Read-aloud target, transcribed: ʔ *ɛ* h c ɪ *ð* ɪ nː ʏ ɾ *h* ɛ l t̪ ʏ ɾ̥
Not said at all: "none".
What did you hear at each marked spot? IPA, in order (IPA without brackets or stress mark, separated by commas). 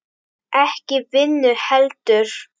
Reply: ɛ, v, h